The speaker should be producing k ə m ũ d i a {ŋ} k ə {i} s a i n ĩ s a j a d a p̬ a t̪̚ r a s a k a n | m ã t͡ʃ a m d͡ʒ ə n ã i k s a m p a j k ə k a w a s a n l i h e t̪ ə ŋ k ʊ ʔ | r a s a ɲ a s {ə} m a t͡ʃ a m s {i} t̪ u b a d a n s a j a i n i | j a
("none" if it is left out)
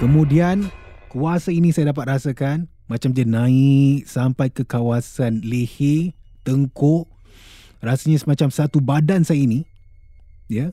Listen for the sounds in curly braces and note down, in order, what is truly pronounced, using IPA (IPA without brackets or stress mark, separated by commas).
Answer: n, a, ə, a